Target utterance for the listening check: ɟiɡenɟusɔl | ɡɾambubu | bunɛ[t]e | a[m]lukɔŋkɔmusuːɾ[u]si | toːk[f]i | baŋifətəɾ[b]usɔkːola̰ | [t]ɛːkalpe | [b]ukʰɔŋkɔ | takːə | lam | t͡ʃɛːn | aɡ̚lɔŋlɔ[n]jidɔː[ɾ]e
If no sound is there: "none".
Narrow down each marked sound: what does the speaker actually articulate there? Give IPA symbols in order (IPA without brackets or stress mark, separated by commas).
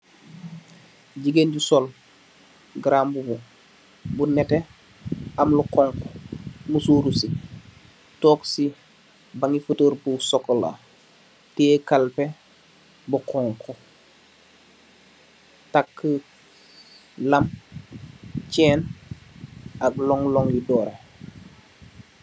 t, m, u, s, b, t, b, ŋ, ɾ